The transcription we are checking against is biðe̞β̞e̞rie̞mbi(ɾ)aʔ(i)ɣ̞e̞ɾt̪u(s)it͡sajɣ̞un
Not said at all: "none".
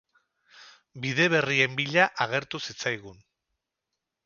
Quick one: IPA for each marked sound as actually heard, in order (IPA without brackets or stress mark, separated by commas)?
ʎ, a, s